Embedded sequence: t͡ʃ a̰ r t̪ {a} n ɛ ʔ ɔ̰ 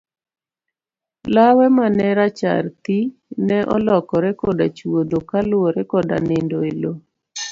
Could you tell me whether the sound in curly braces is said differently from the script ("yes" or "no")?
yes